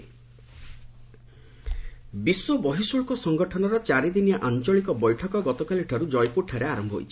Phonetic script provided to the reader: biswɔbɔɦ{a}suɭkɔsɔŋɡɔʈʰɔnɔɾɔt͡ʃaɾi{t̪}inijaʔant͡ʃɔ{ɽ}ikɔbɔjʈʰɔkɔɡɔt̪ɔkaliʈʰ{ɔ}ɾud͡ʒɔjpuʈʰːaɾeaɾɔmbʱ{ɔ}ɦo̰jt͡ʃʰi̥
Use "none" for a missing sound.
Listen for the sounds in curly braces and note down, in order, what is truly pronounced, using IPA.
i, d̪, ɭ, ɔ, ɔ

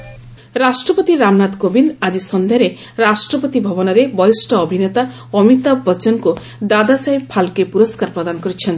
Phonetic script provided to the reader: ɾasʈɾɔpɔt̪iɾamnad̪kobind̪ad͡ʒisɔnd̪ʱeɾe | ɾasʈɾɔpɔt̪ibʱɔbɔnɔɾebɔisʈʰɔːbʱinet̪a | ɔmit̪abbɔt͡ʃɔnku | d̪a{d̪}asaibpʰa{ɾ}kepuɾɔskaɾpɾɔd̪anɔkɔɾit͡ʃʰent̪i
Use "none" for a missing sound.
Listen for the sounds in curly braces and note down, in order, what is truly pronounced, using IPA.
d̪, l

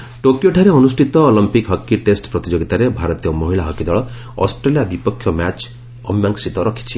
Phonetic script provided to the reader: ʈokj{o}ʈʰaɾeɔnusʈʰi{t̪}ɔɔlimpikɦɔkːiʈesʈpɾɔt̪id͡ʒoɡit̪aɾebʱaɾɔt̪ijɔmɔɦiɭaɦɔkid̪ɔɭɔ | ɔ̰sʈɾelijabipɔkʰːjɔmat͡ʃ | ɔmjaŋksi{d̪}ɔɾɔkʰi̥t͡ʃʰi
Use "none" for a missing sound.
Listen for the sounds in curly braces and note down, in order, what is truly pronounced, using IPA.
o, t̪, t̪

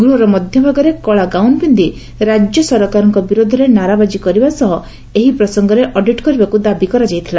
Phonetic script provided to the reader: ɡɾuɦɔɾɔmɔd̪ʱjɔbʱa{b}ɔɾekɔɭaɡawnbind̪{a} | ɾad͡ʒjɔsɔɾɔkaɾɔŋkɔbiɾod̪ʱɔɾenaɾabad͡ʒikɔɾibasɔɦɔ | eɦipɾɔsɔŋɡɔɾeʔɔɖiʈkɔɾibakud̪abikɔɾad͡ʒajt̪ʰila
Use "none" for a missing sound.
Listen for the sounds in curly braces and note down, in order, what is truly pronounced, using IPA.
ɡ, i

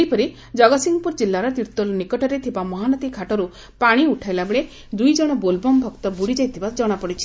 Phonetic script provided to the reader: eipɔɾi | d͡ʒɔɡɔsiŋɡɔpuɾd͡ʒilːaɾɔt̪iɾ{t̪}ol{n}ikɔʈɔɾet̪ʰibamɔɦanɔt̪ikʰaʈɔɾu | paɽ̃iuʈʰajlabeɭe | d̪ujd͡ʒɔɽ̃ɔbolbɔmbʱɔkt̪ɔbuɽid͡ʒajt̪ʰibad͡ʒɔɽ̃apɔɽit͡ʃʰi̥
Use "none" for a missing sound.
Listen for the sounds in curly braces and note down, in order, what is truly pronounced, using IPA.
t̪, n

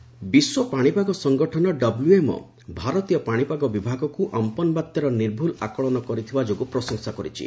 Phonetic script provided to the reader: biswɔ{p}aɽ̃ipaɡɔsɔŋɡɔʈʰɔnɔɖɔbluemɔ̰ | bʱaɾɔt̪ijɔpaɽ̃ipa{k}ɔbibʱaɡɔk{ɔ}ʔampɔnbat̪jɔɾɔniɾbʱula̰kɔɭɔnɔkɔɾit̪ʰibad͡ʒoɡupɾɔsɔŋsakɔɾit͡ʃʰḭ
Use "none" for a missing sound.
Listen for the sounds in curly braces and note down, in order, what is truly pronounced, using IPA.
p, ɡ, u

